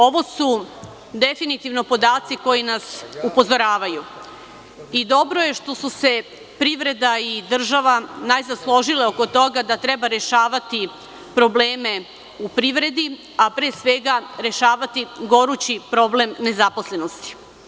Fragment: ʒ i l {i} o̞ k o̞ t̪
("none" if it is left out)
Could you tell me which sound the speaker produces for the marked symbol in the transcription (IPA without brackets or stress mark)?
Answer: e